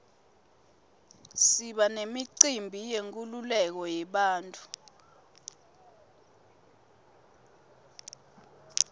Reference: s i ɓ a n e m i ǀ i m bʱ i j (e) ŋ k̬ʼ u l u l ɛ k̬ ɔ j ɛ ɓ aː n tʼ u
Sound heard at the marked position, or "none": e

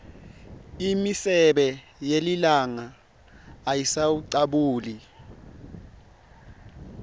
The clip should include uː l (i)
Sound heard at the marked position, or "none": i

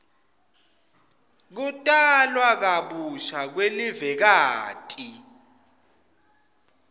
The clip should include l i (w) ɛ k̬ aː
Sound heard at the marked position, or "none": v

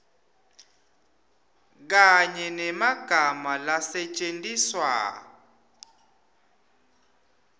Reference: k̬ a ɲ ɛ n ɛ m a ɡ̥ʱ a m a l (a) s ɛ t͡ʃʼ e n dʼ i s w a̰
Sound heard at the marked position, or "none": a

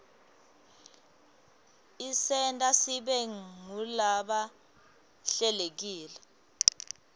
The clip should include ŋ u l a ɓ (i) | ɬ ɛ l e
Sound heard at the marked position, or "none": a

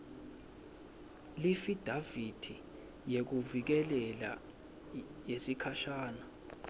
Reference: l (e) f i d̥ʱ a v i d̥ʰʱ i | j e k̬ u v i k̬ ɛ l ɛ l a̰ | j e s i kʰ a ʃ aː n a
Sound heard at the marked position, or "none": i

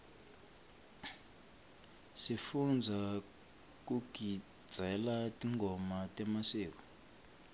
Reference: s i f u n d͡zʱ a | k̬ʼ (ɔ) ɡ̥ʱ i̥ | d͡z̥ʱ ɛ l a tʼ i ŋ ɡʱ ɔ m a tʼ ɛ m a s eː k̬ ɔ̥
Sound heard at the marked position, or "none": u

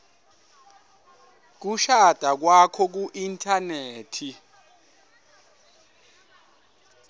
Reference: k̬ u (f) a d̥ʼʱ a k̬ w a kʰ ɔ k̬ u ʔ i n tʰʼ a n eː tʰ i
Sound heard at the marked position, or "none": ʃ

